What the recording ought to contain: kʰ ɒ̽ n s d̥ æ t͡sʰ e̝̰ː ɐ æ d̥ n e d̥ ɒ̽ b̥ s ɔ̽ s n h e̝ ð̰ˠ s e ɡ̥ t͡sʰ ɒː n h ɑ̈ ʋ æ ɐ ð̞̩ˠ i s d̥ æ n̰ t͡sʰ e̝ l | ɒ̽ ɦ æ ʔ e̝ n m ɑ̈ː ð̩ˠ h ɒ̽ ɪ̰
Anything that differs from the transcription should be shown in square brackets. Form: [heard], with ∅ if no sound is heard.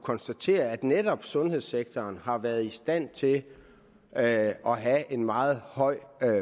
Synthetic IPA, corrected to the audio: kʰ ɒ̽ n s d̥ æ t͡sʰ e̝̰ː ɐ æ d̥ n e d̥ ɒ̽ b̥ s ɔ̽ [∅] n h e̝ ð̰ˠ s e ɡ̥ t͡sʰ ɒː n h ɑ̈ ʋ æ ɐ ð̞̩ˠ i s d̥ æ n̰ t͡sʰ e̝ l | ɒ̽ ɦ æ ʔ e̝ n m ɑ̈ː ð̩ˠ h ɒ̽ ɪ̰